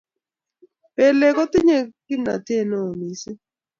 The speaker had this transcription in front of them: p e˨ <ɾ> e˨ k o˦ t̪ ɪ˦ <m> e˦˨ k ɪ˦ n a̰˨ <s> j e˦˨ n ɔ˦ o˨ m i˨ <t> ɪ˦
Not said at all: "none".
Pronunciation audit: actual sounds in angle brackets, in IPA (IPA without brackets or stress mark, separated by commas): l, ɲ, t, s